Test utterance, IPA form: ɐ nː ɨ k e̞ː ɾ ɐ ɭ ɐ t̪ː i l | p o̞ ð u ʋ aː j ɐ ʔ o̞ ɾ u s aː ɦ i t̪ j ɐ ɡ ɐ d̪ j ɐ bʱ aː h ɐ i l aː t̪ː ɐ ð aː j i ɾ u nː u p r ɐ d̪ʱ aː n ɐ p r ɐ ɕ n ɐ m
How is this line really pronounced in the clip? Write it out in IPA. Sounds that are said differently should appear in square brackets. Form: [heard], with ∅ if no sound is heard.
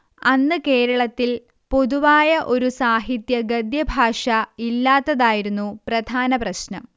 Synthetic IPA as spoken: ɐ nː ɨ k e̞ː ɾ ɐ ɭ ɐ t̪ː i l | p o̞ ð u ʋ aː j ɐ ʔ o̞ ɾ u s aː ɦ i t̪ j ɐ ɡ ɐ d̪ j ɐ bʱ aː [ʂ] ɐ i [lː] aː t̪ː ɐ ð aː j i ɾ u nː u p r ɐ d̪ʱ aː n ɐ p r ɐ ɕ n ɐ m